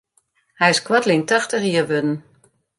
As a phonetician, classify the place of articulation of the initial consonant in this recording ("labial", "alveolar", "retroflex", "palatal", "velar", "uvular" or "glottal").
glottal